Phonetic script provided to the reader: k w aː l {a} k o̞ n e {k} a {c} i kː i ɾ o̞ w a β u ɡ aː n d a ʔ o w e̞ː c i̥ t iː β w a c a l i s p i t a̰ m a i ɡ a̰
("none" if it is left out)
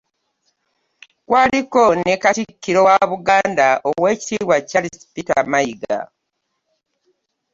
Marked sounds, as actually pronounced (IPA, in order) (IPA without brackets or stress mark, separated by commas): i, k, t